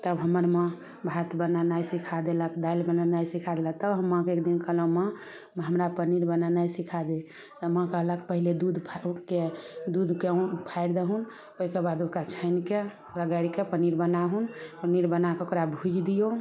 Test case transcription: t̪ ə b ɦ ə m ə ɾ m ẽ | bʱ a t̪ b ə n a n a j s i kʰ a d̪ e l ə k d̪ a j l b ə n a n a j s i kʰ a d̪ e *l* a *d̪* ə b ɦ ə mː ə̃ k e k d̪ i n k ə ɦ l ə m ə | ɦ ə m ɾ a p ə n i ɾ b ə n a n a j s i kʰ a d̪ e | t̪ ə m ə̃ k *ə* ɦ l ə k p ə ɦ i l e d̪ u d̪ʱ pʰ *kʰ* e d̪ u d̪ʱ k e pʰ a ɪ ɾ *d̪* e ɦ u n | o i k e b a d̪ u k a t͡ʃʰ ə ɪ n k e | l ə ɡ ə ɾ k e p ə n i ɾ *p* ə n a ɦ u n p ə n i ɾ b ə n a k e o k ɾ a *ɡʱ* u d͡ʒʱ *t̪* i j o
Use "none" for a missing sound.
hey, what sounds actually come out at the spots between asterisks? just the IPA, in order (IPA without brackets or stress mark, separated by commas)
l, t̪, ə, k, d̪, b, bʱ, d̪